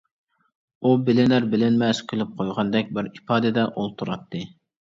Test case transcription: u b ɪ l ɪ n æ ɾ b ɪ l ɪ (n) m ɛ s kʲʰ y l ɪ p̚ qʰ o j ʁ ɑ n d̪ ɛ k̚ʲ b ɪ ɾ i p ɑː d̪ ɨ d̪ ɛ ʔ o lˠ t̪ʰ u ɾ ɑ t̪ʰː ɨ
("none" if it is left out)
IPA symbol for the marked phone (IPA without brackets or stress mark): n